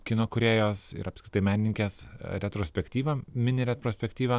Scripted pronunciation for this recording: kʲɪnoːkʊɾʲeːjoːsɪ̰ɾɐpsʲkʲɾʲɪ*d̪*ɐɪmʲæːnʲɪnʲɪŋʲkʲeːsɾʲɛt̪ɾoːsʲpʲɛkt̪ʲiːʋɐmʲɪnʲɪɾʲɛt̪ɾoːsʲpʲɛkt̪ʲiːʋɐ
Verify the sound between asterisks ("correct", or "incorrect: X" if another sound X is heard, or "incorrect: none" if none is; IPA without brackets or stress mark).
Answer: incorrect: t̪